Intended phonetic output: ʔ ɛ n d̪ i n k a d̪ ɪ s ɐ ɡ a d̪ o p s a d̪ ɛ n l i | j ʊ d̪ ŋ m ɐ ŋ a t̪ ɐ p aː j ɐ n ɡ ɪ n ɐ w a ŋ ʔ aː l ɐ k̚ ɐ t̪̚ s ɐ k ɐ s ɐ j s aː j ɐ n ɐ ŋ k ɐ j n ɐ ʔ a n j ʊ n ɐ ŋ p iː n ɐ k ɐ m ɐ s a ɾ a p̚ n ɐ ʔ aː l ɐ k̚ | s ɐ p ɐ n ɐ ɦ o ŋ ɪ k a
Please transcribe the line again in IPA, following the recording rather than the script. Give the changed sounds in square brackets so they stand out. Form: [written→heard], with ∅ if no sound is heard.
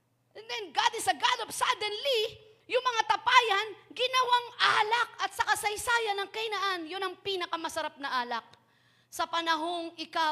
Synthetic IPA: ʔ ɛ n d̪ [i→ɛ] n [k→ɡ] a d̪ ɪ s ɐ ɡ a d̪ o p s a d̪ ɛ n l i | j ʊ [d̪→∅] ŋ m ɐ ŋ a t̪ ɐ p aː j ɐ n ɡ ɪ n ɐ w a ŋ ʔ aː l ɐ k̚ ɐ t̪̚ s ɐ k ɐ s ɐ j s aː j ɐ n ɐ ŋ k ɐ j n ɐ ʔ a n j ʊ n ɐ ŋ p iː n ɐ k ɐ m ɐ s [a→ɐ] ɾ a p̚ n ɐ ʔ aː l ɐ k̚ | s ɐ p ɐ n ɐ ɦ o ŋ ɪ k a